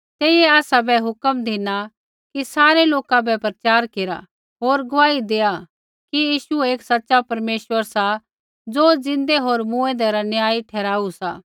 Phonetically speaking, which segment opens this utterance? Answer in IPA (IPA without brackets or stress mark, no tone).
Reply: t̪